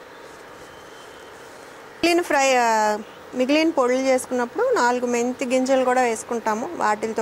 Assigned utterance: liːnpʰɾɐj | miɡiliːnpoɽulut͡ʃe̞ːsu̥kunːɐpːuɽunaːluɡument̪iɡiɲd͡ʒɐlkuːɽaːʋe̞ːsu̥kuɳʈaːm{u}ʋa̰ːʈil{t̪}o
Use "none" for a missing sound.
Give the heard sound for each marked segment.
u, t̪

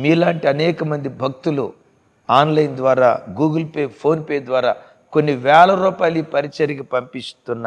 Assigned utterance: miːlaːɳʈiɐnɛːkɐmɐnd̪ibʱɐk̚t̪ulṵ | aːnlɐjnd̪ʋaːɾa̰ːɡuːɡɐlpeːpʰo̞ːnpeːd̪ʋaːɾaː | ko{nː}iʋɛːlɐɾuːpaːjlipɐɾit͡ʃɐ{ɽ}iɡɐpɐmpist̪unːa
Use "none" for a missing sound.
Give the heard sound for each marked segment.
nː, ɾ

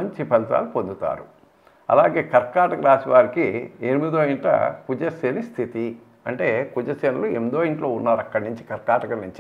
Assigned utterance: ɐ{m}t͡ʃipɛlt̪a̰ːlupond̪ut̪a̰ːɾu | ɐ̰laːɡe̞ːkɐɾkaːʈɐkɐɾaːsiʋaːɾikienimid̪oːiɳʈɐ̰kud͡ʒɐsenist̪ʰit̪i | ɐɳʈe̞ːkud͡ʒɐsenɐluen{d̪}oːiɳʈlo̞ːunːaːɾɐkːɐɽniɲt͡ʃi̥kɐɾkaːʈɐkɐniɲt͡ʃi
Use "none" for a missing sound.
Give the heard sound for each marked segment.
ɲ, d̪

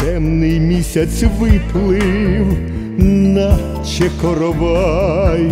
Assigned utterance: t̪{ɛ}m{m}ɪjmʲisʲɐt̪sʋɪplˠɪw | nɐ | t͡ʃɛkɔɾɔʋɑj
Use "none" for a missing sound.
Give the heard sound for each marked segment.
ɛ, n

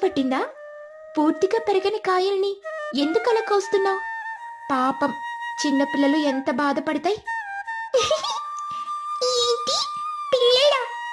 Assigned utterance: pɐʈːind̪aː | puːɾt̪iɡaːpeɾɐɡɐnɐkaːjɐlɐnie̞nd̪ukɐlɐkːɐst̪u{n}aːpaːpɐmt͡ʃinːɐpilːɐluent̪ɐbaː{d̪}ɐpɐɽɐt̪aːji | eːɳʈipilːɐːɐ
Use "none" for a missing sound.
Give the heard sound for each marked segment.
nː, d̪

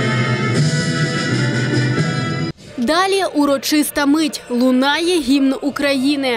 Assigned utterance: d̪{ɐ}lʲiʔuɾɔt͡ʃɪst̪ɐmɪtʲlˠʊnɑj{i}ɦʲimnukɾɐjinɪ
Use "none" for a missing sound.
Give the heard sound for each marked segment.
ɑ, ɛ

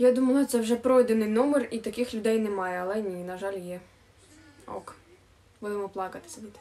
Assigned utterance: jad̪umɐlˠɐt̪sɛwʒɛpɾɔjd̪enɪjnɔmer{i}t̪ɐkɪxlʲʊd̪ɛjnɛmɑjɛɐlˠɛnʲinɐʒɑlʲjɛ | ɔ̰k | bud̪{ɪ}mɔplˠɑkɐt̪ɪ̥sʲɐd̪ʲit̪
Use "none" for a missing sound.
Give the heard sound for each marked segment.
i, ɪ

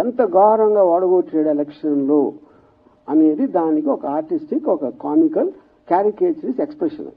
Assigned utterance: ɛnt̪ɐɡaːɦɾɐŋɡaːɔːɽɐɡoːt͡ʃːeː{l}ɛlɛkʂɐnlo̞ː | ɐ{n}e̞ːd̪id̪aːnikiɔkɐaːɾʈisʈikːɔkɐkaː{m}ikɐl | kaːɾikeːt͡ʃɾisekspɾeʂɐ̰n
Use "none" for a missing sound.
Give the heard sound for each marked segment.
ɽ, n, m

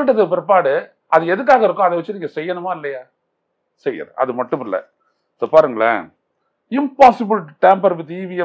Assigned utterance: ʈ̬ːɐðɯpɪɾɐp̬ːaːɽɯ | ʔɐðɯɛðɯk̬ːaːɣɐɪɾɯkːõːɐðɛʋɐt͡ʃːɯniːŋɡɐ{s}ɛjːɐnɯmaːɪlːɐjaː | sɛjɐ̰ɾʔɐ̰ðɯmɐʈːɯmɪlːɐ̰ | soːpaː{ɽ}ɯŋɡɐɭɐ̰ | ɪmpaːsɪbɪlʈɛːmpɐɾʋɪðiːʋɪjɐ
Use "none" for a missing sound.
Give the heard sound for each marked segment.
s, ɾ

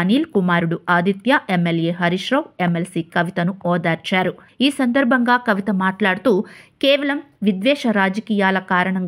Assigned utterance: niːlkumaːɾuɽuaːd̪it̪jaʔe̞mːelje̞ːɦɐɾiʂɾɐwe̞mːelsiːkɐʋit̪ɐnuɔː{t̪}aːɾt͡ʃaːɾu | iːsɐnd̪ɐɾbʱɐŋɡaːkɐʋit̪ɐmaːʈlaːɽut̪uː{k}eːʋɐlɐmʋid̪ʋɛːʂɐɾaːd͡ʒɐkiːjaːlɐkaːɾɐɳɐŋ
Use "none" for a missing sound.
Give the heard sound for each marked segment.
d̪, k

